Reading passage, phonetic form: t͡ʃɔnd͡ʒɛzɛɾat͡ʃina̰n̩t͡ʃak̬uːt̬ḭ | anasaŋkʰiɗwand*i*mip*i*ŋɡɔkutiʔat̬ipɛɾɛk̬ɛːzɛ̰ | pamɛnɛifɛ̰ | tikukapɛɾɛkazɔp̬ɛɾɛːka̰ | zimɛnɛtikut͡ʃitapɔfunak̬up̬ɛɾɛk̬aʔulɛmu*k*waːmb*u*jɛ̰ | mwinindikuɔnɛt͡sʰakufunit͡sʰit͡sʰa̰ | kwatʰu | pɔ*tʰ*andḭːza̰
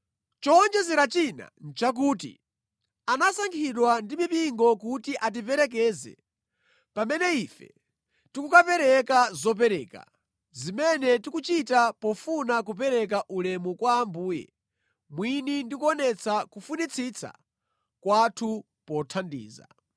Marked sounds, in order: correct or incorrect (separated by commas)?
correct, correct, correct, incorrect, correct